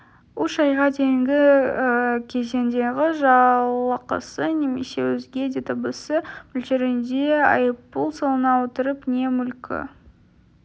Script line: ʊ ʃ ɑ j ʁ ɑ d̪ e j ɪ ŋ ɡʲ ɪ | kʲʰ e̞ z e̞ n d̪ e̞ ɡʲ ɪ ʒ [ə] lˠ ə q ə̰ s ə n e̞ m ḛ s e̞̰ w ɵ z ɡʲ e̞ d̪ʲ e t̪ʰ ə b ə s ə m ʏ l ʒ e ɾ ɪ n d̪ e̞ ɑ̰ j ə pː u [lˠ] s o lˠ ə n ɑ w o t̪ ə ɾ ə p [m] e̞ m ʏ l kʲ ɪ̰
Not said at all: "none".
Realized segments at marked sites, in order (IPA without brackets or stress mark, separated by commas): ɑ, lˠ, n